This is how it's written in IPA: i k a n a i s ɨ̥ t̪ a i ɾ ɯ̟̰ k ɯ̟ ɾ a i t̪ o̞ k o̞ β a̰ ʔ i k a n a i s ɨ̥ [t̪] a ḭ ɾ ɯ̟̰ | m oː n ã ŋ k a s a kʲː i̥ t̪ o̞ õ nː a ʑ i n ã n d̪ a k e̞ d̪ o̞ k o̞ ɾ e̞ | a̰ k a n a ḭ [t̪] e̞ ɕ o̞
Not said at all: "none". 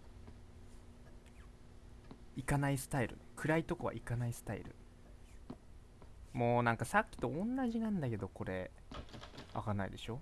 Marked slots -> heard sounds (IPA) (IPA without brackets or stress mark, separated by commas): t̪, d̪